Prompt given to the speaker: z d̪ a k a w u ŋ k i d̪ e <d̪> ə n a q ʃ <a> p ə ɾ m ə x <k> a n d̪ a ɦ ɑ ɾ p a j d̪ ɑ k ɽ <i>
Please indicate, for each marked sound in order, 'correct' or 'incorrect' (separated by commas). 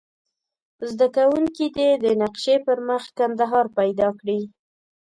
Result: correct, incorrect, correct, correct